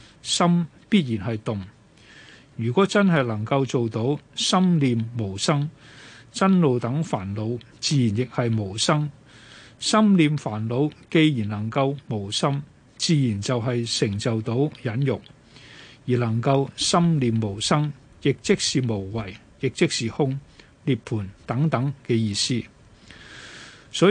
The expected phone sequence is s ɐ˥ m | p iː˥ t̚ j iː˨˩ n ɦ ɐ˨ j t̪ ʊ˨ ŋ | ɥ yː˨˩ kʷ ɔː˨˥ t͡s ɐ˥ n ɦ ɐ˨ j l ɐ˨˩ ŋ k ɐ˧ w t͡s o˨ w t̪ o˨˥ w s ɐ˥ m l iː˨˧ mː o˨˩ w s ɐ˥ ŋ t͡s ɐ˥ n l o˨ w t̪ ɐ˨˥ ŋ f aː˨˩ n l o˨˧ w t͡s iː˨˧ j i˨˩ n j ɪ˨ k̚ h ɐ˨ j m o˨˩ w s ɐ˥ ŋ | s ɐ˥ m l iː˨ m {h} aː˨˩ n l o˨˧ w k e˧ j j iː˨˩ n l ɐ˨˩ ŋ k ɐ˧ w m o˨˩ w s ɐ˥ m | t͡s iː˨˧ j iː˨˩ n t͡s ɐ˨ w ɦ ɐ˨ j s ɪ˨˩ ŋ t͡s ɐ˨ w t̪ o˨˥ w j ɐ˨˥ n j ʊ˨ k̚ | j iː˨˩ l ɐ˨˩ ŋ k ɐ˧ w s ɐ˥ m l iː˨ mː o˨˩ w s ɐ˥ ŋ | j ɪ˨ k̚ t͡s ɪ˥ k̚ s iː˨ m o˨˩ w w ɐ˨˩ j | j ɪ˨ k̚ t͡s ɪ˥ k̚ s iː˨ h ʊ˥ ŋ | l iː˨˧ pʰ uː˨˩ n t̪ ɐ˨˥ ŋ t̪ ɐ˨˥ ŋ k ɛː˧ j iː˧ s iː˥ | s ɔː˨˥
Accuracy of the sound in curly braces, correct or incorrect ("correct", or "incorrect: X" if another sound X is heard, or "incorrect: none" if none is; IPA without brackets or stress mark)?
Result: incorrect: f